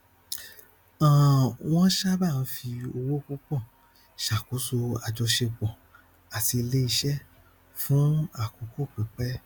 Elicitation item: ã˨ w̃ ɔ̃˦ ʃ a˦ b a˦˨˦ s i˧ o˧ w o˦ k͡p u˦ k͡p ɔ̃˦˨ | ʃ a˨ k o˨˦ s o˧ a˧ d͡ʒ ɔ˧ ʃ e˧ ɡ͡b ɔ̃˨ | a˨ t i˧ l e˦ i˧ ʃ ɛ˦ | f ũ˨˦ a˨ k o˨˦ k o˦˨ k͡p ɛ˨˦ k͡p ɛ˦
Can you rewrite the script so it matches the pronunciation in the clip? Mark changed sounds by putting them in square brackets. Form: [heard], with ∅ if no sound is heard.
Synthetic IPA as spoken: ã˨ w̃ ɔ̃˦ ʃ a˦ b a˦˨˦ [f] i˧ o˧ w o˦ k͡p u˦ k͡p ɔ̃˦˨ | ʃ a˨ k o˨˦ s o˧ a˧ d͡ʒ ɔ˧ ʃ e˧ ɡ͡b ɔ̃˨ | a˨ t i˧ l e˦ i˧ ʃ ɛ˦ | f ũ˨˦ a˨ k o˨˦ k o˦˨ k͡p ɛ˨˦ k͡p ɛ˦